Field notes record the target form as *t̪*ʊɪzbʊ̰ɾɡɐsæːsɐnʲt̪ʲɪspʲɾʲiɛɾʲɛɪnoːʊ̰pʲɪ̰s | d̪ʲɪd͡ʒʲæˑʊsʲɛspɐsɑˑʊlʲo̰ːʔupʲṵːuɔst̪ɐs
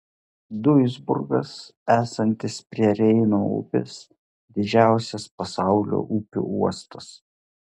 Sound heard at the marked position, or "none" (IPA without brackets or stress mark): d̪